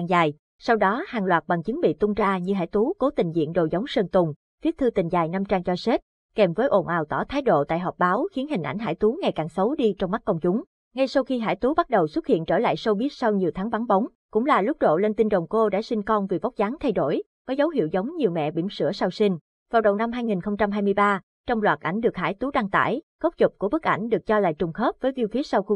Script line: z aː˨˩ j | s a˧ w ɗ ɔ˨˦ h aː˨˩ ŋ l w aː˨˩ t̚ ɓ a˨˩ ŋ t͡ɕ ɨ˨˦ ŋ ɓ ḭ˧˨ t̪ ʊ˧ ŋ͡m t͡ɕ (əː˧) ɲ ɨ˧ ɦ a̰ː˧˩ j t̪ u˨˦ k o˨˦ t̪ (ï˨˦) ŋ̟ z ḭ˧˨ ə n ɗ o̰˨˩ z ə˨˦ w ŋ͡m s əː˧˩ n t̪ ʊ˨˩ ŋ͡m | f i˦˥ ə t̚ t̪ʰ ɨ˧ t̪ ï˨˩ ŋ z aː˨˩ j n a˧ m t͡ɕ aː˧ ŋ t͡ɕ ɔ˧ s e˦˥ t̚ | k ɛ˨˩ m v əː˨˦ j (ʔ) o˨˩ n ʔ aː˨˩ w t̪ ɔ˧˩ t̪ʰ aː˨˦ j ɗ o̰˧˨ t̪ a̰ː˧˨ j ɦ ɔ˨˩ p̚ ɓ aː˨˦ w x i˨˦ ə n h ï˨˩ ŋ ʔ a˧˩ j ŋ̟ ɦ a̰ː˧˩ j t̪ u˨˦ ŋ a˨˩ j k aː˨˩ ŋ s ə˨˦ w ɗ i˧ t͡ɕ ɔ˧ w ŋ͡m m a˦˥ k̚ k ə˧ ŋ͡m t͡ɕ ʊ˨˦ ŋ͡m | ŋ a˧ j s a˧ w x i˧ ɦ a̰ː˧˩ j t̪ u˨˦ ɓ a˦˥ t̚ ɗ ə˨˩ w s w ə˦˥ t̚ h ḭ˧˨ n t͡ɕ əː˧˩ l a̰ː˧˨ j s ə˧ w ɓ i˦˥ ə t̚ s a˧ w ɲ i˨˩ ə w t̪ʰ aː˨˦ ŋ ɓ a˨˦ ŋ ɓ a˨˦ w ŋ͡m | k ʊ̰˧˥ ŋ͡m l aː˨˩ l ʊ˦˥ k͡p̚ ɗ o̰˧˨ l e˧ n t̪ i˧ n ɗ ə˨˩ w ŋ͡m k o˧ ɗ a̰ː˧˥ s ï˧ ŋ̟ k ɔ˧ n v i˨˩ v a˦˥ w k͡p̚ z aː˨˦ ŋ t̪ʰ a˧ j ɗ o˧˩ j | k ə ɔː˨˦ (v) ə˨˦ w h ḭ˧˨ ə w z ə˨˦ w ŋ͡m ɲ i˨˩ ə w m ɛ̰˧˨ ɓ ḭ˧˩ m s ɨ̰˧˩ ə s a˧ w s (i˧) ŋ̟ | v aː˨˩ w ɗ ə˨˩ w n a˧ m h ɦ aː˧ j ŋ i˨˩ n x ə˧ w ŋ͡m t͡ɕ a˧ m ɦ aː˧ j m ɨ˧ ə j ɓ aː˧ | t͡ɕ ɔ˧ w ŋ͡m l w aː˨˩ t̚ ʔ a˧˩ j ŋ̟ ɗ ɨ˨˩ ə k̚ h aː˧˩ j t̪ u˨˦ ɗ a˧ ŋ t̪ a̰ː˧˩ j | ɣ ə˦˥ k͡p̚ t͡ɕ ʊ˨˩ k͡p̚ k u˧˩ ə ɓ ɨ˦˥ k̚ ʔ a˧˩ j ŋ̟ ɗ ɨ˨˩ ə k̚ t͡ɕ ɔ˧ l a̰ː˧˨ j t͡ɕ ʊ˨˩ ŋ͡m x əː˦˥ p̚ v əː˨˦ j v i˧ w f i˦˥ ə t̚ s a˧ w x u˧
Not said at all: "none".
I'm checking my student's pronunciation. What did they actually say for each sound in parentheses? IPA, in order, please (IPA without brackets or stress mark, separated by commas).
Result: aː˧, ï˨˩, ʔ, z, i˧